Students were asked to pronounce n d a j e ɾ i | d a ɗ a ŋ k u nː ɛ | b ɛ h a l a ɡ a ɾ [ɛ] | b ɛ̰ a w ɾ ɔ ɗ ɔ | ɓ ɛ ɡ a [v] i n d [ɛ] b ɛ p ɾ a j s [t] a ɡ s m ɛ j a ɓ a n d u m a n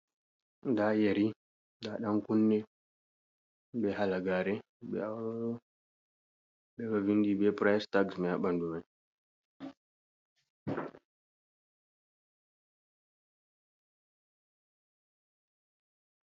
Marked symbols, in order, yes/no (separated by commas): yes, yes, no, yes